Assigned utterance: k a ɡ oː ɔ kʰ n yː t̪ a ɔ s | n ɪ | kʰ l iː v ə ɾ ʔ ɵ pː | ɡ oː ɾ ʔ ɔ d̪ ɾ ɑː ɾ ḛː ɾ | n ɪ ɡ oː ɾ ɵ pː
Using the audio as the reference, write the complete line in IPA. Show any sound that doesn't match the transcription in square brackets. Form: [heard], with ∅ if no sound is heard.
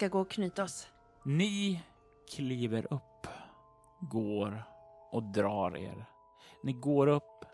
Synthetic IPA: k a ɡ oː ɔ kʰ n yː t̪ a ɔ s | n ɪ | kʰ l iː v ə ɾ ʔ ɵ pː | ɡ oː ɾ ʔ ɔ d̪ ɾ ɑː ɾ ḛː ɾ | n ɪ ɡ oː ɾ ɵ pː